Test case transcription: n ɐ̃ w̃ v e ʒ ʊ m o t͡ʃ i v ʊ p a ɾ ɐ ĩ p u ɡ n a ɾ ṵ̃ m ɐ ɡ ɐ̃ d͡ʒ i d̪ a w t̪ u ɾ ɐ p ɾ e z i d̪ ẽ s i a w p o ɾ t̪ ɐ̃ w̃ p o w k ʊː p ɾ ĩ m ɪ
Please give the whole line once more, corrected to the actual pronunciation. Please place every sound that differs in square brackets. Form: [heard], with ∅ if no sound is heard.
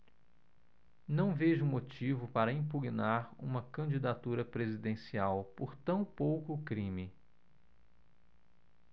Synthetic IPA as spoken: n ɐ̃ w̃ v e ʒ ʊ m o t͡ʃ i v ʊ p a ɾ ɐ ĩ p u ɡ n a ɾ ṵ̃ m ɐ [k] ɐ̃ d͡ʒ i d̪ a [∅] t̪ u ɾ ɐ p ɾ e z i d̪ ẽ s i a w p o ɾ t̪ ɐ̃ w̃ p o w k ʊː [k] ɾ ĩ m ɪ